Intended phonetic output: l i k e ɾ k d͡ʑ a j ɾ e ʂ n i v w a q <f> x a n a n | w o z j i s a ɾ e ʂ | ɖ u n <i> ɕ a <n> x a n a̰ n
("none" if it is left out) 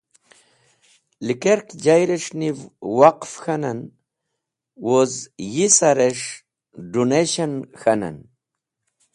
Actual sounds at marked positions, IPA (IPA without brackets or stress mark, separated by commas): f, e, n